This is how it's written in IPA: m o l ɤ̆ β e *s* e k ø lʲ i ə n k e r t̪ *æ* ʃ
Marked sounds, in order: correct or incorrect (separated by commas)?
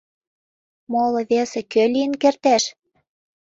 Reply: correct, correct